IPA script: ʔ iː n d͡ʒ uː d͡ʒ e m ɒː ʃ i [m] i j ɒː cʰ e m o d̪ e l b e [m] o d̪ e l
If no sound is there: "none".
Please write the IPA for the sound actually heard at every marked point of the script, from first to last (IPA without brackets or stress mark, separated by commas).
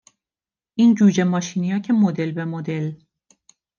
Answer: n, m